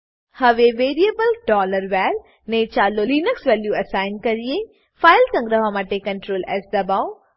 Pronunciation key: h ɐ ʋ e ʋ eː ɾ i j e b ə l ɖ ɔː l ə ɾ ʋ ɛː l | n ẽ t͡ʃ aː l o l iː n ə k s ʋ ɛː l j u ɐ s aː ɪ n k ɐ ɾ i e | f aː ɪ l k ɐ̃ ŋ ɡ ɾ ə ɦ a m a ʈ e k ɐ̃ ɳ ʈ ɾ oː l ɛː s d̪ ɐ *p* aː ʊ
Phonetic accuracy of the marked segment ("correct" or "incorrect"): incorrect